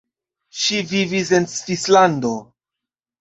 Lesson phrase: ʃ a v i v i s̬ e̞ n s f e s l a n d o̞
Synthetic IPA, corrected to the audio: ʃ i v i v i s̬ e̞ n s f i s l a n d o̞